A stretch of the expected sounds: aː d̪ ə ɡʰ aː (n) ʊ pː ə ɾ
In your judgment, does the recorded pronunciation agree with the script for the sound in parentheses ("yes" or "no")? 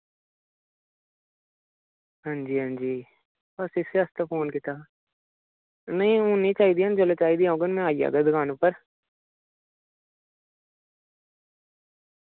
yes